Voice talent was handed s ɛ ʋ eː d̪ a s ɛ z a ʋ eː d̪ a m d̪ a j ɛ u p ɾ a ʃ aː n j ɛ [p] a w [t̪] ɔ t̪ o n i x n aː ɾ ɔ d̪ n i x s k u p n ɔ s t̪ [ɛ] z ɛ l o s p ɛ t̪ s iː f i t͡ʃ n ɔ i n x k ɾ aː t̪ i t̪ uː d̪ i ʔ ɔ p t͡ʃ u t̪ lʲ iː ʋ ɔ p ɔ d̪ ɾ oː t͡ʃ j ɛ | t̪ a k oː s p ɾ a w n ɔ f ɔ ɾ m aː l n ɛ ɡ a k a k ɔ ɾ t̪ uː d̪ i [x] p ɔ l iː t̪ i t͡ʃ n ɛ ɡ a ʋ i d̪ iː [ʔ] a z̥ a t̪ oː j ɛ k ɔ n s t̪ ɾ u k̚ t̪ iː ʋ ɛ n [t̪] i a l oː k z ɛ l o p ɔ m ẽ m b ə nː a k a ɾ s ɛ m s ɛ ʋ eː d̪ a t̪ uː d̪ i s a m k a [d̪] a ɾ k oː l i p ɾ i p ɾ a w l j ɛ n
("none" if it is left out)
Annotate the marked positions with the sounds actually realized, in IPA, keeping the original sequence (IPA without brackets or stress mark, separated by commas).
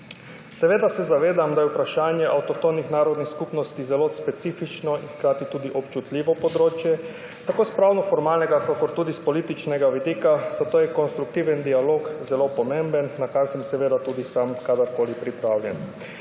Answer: ʔ, t̪, i, s, k, d̪, d̪